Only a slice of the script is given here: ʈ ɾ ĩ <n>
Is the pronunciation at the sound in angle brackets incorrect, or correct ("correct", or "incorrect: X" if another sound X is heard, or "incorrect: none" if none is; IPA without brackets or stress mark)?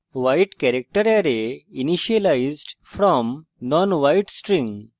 incorrect: ŋ